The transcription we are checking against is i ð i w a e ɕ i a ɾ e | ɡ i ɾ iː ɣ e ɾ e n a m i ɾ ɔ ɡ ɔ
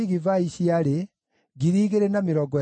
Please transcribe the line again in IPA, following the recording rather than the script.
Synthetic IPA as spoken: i ɣ i v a i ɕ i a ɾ e | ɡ i ɾ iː ɣ e ɾ e n a m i ɾ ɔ ɡ ɔ